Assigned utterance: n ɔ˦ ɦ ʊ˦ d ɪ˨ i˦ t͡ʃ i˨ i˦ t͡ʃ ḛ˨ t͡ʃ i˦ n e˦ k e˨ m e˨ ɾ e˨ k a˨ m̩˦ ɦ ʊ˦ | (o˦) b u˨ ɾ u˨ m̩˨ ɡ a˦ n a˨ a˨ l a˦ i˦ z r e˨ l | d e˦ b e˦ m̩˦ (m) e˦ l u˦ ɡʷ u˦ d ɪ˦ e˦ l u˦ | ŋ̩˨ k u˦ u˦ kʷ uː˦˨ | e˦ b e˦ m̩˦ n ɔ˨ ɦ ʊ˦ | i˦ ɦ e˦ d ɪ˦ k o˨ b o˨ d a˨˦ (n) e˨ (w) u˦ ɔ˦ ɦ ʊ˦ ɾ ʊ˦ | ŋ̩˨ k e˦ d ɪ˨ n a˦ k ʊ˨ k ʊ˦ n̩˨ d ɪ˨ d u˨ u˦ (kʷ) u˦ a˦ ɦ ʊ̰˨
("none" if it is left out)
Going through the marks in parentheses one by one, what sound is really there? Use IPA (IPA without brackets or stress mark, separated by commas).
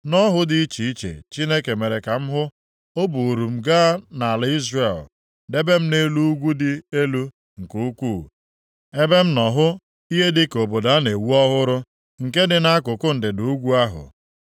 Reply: o˦, n, n, w, ɡʷ